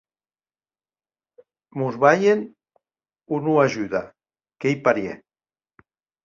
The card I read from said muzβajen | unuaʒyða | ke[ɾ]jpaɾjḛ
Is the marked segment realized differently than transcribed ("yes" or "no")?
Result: yes